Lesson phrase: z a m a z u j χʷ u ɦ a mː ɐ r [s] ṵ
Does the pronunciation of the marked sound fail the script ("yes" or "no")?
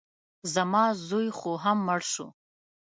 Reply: yes